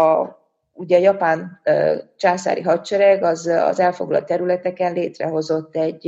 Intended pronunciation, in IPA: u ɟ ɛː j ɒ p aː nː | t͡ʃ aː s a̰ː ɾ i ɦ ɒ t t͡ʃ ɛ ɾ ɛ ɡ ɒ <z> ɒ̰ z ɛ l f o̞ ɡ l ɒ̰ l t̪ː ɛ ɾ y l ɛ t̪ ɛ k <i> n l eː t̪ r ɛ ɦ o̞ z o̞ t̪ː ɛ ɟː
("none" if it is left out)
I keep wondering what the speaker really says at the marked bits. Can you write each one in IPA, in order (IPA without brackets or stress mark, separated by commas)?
z, ɛ